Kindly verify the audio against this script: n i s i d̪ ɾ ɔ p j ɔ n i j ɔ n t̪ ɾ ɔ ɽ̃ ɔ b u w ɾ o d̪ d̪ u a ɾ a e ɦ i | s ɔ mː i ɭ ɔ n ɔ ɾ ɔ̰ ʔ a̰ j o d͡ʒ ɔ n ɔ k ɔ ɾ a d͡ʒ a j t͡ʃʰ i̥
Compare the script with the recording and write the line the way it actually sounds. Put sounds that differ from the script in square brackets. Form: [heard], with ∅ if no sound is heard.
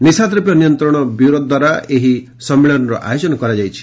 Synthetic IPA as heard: n i s [a] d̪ ɾ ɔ p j ɔ n i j ɔ n t̪ ɾ ɔ ɽ̃ ɔ b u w ɾ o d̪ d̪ [w] a ɾ a e ɦ i | s ɔ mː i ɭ ɔ n ɔ ɾ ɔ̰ ʔ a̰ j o d͡ʒ ɔ n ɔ k ɔ ɾ a d͡ʒ a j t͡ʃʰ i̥

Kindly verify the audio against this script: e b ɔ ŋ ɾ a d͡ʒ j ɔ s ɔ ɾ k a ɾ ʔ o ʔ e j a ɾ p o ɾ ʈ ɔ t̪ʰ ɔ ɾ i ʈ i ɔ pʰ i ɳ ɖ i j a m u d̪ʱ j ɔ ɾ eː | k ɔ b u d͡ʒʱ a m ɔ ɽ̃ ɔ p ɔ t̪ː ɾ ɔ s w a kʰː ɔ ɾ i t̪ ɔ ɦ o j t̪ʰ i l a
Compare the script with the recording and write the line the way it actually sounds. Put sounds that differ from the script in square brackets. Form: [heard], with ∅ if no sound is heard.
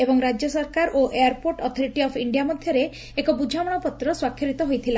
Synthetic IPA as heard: e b ɔ ŋ ɾ a d͡ʒ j ɔ s ɔ ɾ k a ɾ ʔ o ʔ e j a ɾ p o ɾ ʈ ɔ t̪ʰ ɔ ɾ i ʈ i ɔ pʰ i ɳ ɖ i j a m [ɔ] d̪ʱ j ɔ ɾ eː | k ɔ b u d͡ʒʱ a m ɔ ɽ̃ ɔ p ɔ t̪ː ɾ ɔ s w a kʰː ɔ ɾ i t̪ ɔ ɦ o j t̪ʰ i l a

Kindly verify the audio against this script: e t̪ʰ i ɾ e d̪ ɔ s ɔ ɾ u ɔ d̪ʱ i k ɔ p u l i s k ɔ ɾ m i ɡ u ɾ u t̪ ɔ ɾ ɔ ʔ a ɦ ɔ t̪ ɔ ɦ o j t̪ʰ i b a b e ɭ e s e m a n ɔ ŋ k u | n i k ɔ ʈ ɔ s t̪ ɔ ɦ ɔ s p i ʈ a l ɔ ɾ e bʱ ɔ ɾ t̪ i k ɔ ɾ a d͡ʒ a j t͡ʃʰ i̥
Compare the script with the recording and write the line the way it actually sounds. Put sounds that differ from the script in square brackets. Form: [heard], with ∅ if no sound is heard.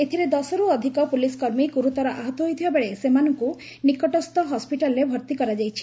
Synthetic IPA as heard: e t̪ʰ i ɾ e d̪ ɔ s ɔ ɾ u ɔ d̪ʱ i k ɔ p u l i s k ɔ ɾ m i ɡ u ɾ u t̪ ɔ ɾ ɔ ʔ a ɦ ɔ t̪ ɔ ɦ o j t̪ʰ i b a b e ɭ e s e m a n ɔ ŋ k u | n i k ɔ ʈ ɔ s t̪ ɔ ɦ ɔ s p i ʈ a l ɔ ɾ e bʱ ɔ ɾ t̪ i k ɔ ɾ a d͡ʒ a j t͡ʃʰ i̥

